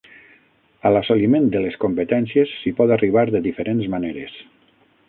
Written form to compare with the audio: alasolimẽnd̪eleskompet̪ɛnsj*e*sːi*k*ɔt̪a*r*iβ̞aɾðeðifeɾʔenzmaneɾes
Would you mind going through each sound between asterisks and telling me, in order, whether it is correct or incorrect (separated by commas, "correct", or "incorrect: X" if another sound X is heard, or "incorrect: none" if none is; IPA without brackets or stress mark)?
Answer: correct, incorrect: p, correct